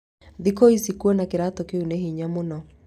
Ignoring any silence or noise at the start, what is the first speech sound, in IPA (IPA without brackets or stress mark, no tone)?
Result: ð